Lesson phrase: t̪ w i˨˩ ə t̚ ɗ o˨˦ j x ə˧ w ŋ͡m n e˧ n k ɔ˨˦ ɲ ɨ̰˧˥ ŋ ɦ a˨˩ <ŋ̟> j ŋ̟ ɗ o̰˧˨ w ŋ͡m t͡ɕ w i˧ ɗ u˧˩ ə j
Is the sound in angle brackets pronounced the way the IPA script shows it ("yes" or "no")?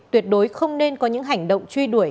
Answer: no